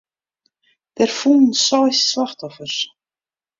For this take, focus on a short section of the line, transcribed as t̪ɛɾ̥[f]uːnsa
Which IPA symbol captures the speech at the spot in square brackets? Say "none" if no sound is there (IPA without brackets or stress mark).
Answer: f